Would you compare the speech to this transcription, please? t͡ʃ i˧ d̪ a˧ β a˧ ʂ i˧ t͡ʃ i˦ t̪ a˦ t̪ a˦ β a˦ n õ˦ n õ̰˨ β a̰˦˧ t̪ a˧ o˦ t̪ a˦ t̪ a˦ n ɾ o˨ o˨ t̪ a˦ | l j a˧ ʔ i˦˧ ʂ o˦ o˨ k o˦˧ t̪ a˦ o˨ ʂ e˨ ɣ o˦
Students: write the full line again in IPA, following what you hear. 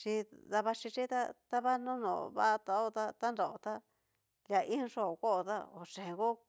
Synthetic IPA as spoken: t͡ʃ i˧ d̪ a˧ β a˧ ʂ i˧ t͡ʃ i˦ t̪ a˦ t̪ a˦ β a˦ n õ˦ n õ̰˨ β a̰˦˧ t̪ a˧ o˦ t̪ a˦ t̪ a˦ n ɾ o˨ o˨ t̪ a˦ | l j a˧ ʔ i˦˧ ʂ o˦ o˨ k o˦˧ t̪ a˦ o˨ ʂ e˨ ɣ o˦